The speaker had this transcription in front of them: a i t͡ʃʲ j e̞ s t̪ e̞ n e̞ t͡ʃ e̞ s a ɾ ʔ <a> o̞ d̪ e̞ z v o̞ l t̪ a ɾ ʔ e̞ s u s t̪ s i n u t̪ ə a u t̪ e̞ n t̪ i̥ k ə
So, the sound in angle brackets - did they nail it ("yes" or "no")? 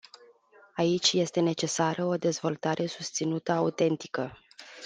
no